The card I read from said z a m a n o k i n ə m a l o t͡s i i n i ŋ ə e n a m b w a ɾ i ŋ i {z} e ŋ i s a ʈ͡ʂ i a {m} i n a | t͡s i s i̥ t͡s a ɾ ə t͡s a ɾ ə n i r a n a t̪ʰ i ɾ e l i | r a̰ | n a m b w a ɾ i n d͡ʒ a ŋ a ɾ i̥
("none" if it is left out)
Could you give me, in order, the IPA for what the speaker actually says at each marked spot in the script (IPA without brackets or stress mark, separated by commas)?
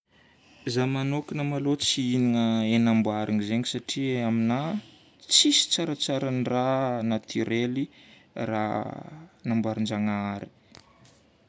z, m